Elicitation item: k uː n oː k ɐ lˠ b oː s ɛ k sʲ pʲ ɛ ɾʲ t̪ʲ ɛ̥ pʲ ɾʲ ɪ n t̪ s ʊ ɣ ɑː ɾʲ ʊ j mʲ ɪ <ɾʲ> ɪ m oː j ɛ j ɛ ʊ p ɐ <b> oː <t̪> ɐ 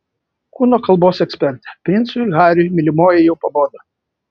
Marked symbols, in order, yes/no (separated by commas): no, yes, no